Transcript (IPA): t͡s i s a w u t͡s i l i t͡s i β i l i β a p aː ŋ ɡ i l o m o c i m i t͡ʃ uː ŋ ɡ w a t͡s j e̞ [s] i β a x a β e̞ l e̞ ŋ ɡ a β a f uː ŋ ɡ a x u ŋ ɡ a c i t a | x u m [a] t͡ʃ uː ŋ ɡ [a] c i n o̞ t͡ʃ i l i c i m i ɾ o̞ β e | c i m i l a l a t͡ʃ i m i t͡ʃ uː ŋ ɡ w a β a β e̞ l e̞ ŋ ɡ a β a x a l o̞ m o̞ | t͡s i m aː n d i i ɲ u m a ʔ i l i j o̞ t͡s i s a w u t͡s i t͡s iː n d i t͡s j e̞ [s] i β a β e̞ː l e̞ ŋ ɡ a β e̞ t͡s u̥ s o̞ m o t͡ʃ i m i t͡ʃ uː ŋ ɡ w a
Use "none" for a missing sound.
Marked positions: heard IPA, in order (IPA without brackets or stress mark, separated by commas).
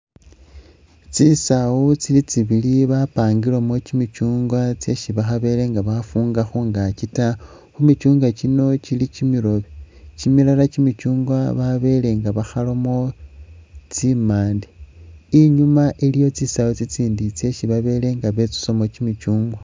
ʃ, i, a, ʃ